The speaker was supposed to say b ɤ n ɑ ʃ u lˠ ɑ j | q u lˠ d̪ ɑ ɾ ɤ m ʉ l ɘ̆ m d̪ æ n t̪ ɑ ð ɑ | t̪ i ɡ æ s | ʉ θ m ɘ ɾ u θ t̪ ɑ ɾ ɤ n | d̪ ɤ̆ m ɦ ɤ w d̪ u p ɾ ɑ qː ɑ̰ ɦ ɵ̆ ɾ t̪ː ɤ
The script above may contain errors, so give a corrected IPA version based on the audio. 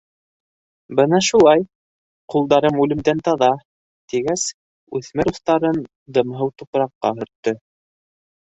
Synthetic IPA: b ɤ n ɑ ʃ u lˠ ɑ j | q u lˠ d̪ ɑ ɾ ɤ m ʉ l ɘ̆ m d̪ æ n t̪ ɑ ð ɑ | t̪ i ɡ æ s | ʉ θ m ɘ ɾ u θ t̪ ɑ ɾ ɤ n | d̪ ɤ̆ m ɦ ɤ w t̪ u p ɾ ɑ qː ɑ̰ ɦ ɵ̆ ɾ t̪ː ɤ